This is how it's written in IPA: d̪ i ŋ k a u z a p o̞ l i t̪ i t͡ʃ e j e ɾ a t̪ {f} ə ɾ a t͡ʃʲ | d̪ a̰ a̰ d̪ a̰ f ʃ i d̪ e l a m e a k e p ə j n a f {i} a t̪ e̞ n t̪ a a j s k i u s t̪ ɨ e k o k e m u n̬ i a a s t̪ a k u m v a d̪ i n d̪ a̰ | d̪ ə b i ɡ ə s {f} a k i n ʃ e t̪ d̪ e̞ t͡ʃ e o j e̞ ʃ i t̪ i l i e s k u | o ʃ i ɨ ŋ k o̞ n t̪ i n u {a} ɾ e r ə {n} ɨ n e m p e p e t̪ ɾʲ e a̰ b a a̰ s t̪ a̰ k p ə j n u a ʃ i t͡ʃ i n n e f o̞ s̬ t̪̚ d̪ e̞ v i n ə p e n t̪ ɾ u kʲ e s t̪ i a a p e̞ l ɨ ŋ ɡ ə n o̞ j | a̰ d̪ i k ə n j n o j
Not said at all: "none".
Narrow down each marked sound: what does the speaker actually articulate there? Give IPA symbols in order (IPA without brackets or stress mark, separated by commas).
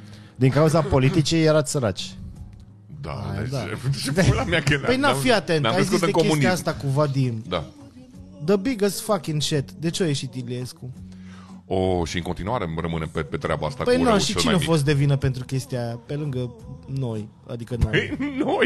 s, i, f, a, m